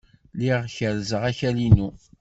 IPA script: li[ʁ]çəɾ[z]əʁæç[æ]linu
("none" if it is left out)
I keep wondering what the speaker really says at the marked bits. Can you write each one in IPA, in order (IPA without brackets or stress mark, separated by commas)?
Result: ʁ, z, æ